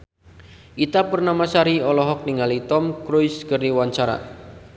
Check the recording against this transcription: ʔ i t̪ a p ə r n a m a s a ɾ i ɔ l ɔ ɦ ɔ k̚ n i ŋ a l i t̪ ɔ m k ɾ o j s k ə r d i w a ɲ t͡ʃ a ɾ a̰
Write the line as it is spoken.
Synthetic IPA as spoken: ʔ i t̪ a p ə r n a m a s a ɾ i ɔ l ɔ ɦ ɔ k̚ n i ŋ a l i t̪ ɔ m k ɾ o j s k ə r n i w a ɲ t͡ʃ a ɾ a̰